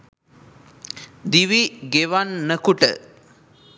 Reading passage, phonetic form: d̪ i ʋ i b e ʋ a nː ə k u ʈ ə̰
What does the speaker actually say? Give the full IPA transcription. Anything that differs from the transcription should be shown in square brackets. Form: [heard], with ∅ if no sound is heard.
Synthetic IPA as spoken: d̪ i ʋ i [ɡ] e ʋ a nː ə k u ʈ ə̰